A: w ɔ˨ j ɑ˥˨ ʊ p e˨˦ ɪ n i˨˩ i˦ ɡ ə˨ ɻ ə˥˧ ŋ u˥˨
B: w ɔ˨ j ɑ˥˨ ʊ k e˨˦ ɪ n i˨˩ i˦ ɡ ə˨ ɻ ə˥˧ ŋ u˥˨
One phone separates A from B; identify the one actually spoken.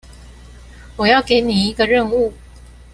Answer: B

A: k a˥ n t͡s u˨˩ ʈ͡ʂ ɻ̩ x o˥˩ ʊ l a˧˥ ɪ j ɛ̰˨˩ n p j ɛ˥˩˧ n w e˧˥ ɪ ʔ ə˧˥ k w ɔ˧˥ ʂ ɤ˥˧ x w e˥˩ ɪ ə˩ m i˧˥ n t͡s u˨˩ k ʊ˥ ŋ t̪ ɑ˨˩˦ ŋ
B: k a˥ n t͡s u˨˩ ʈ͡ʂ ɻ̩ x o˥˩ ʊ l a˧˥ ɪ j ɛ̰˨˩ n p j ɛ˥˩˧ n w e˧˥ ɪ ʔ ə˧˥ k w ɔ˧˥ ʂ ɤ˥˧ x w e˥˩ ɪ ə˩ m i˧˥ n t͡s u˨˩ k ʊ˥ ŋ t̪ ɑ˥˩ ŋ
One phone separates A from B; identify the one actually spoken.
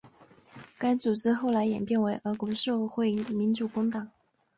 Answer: A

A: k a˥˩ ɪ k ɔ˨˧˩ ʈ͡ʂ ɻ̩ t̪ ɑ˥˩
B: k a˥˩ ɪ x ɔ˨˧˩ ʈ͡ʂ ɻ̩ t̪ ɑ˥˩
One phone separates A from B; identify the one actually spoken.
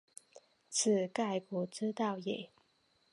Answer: A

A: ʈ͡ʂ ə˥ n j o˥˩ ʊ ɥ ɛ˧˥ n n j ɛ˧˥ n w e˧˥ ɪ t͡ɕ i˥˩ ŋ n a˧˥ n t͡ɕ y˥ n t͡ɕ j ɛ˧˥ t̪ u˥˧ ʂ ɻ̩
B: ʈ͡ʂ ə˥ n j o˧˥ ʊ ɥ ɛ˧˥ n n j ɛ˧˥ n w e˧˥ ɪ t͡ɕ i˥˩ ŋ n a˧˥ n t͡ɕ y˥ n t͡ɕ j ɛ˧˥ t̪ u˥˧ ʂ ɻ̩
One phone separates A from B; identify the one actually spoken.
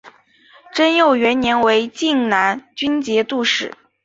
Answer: A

